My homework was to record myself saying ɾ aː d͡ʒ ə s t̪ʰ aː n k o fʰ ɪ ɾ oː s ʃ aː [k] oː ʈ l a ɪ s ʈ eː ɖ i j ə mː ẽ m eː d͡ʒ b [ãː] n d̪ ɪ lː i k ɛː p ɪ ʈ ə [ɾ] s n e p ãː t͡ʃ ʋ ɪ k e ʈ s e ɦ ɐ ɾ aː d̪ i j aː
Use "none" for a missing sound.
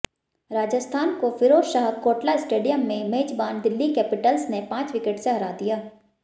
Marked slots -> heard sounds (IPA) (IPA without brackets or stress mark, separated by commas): k, aː, l